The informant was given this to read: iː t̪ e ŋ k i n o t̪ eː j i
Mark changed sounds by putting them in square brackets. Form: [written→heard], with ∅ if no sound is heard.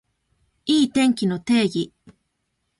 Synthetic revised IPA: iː t̪ e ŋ k i n o t̪ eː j i

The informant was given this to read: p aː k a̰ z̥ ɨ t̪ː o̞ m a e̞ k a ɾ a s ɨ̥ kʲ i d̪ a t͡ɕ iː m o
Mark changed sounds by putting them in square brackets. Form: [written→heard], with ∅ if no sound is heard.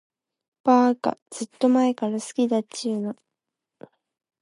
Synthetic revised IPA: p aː k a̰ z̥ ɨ t̪ː o̞ m a e̞ k a ɾ a s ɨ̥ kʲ i d̪ a t͡ɕ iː [m→n] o

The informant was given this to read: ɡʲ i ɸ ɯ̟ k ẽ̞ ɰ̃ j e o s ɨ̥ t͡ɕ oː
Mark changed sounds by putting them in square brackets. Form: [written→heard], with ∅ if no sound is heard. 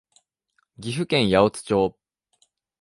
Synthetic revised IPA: ɡʲ i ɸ ɯ̟ k ẽ̞ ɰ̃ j [e→a] o [s→t͡s] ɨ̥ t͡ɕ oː

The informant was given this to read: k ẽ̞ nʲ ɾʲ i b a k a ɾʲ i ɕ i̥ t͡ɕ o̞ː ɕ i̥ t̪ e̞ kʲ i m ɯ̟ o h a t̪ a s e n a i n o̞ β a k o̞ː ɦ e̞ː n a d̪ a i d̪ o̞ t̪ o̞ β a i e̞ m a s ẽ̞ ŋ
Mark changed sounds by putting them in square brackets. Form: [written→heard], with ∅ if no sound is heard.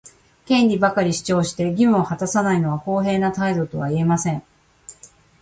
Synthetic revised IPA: k ẽ̞ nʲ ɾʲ i b a k a ɾʲ i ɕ i̥ t͡ɕ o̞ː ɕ i̥ t̪ e̞ [kʲ→ɡʲ] i m ɯ̟ o h a t̪ a s [e→a] n a i n o̞ β a k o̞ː ɦ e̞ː n a [d̪→t̪] a i d̪ o̞ t̪ o̞ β a i e̞ m a s ẽ̞ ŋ

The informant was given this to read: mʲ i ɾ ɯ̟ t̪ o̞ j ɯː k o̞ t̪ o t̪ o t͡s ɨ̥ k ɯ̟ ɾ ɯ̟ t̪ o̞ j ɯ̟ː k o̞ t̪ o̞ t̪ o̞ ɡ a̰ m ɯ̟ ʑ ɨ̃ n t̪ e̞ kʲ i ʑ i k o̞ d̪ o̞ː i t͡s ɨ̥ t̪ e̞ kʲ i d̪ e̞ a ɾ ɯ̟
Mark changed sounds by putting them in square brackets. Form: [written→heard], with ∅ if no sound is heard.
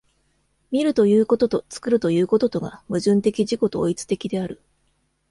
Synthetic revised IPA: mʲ i ɾ ɯ̟ t̪ o̞ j ɯː k o̞ t̪ o t̪ o t͡s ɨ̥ k ɯ̟ ɾ ɯ̟ t̪ o̞ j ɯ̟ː k o̞ t̪ o̞ t̪ o̞ ɡ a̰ m ɯ̟ ʑ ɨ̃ n t̪ e̞ kʲ i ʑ i k o̞ [d̪→t̪] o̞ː i t͡s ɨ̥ t̪ e̞ kʲ i d̪ e̞ a ɾ ɯ̟

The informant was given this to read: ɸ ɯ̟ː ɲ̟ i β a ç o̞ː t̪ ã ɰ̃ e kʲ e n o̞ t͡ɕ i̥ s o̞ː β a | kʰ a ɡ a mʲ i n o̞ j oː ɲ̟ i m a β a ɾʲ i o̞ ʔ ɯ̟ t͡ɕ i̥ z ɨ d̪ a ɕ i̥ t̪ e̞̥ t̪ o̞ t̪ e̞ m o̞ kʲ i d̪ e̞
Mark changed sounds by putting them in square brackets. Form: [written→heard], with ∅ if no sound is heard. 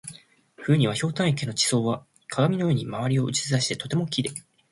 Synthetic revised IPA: ɸ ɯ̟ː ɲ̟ i β a ç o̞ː t̪ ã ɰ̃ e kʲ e n o̞ t͡ɕ i̥ s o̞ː β a | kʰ a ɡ a mʲ i n o̞ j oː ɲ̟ i m a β a ɾʲ i o̞ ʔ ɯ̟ t͡ɕ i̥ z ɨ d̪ a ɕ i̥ t̪ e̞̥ t̪ o̞ t̪ e̞ m o̞ kʲ i d̪ e̞

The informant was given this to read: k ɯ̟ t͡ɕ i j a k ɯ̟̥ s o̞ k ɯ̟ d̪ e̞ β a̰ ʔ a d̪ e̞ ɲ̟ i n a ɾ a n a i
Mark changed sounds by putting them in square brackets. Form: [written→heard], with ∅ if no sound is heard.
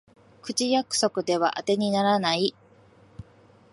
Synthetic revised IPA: k ɯ̟ t͡ɕ i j a k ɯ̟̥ s o̞ k ɯ̟ d̪ e̞ β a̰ ʔ a [d̪→t̪] e̞ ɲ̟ i n a ɾ a n a i

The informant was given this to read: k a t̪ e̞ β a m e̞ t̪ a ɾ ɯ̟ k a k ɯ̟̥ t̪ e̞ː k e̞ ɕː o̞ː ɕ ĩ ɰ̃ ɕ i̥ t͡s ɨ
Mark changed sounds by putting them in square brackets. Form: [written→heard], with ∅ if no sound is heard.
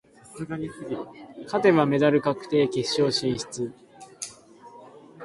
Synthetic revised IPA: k a t̪ e̞ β a m e̞ [t̪→d̪] a ɾ ɯ̟ k a k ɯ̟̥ t̪ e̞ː k e̞ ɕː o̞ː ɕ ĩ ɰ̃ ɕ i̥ t͡s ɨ

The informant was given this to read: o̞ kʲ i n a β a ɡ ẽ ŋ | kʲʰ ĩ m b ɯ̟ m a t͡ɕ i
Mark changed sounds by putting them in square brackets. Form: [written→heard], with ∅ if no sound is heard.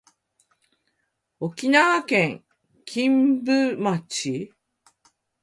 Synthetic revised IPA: o̞ kʲ i n a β a [ɡ→k] ẽ ŋ | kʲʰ ĩ m b ɯ̟ m a t͡ɕ i

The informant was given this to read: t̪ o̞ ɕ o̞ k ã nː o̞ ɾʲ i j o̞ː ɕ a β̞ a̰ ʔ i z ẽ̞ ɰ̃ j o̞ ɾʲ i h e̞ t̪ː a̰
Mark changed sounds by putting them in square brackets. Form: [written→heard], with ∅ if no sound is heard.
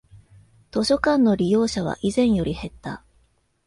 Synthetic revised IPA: t̪ o̞ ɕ o̞ k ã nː o̞ ɾʲ i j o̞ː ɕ a β̞ a̰ ʔ i z ẽ̞ ɰ̃ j o̞ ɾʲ i h e̞ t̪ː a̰

